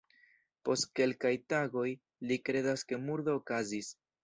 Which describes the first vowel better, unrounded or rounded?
rounded